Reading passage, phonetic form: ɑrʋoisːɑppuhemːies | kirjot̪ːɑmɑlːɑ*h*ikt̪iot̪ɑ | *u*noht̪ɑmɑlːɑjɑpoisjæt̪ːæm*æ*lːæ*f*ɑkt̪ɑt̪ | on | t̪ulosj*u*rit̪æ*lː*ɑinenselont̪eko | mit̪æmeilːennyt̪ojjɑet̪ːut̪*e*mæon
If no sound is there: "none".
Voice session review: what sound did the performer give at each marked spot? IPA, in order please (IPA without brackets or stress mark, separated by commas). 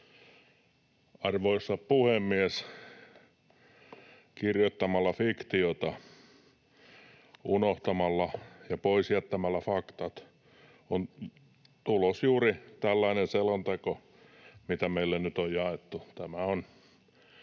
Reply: f, u, æ, f, uː, lː, æ